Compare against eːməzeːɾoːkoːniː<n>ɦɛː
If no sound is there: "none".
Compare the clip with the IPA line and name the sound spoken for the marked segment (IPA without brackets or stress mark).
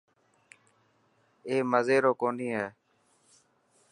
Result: none